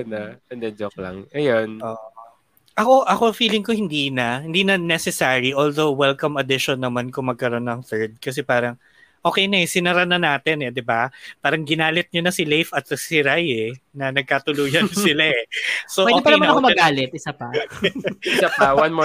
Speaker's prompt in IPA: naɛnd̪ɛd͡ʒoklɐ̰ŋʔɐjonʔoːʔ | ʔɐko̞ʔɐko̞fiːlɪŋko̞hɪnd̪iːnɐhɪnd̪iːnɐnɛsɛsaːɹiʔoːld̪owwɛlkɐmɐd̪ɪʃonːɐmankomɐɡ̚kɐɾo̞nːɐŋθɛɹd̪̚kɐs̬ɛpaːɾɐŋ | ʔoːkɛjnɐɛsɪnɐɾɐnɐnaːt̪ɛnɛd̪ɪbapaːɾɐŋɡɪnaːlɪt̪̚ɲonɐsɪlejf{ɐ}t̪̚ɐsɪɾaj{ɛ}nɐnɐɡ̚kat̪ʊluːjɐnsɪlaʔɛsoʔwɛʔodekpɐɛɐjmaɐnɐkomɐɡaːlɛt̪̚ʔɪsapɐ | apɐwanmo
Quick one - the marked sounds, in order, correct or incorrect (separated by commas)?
correct, correct